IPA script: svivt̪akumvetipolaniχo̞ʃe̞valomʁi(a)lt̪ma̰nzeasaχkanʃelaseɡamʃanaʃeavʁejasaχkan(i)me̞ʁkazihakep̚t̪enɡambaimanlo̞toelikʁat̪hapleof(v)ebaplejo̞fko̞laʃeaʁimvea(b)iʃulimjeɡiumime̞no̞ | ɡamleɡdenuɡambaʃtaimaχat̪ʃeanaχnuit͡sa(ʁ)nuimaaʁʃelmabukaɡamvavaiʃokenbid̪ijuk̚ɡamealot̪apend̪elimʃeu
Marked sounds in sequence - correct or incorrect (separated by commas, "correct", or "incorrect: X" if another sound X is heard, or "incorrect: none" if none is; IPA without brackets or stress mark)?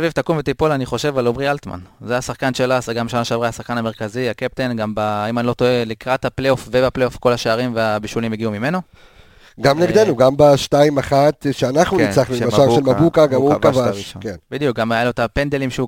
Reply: correct, incorrect: a, correct, correct, incorrect: χ